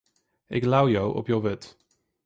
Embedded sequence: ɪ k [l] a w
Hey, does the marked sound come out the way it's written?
yes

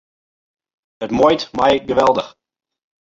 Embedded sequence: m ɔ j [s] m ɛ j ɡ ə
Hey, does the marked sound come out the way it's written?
no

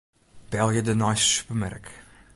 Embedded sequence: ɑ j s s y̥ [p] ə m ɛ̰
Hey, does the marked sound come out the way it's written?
yes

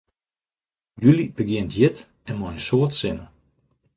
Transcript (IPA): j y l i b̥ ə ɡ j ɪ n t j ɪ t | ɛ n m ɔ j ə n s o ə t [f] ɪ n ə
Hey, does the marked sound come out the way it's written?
no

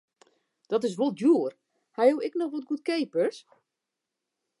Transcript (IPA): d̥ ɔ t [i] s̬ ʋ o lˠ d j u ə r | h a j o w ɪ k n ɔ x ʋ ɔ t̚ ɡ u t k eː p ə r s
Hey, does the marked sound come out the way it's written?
no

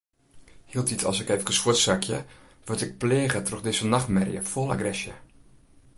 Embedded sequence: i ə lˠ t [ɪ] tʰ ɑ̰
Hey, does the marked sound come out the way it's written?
no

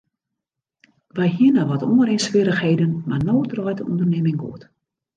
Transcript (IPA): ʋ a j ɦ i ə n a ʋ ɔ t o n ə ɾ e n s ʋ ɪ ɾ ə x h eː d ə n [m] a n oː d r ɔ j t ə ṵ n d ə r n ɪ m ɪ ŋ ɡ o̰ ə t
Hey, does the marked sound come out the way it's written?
yes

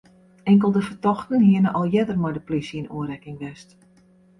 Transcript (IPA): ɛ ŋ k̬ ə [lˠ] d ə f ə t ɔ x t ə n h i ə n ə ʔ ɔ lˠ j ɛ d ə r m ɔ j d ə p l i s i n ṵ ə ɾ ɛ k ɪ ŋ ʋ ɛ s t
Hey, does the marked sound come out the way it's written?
yes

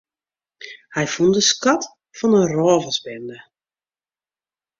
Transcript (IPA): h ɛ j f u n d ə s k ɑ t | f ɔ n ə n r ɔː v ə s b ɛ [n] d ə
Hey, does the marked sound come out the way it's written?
yes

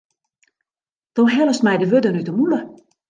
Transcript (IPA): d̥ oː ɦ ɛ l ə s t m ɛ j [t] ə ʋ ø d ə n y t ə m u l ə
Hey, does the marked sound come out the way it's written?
no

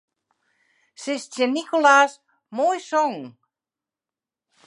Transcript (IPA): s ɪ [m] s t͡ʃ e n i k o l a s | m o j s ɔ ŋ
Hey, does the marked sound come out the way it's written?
no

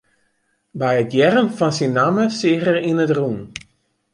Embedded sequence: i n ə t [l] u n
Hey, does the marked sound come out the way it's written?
no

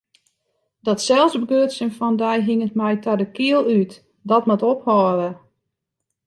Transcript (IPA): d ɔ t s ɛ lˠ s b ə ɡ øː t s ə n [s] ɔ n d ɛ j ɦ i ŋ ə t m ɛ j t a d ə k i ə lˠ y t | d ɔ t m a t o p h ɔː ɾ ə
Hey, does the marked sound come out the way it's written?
no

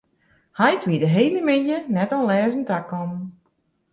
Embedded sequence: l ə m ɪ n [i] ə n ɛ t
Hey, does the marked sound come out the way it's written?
no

